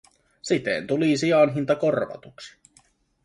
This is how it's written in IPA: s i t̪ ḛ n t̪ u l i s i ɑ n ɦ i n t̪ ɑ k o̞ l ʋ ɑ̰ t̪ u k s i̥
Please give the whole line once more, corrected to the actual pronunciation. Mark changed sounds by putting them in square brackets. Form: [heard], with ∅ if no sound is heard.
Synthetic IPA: s i t̪ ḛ n t̪ u l i s i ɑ n ɦ i n t̪ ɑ k o̞ [r] ʋ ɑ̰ t̪ u k s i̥